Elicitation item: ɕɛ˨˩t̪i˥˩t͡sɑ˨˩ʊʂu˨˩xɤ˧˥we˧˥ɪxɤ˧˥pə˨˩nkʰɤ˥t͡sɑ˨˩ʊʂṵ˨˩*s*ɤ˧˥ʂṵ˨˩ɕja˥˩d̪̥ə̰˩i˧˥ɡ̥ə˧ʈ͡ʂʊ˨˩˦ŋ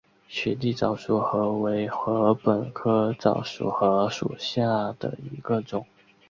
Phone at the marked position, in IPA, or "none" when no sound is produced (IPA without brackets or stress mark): x